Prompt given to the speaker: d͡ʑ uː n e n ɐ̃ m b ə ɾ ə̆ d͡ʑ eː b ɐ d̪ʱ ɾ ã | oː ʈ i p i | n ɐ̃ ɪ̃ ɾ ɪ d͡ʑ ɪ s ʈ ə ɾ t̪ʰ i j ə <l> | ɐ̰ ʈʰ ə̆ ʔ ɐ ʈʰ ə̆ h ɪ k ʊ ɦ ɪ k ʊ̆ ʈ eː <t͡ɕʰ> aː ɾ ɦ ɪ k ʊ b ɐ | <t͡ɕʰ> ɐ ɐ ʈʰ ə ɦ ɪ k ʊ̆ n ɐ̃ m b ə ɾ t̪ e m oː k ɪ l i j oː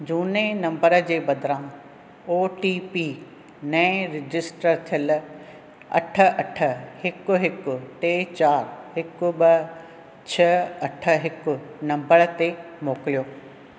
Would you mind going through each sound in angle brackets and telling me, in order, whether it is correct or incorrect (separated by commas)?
correct, incorrect, correct